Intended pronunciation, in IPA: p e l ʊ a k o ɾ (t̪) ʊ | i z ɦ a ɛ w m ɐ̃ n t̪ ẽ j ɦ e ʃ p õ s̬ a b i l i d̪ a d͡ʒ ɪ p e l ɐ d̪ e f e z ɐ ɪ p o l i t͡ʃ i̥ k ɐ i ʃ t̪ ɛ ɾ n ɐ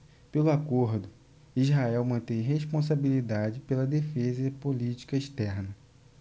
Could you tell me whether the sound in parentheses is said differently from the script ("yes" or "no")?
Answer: yes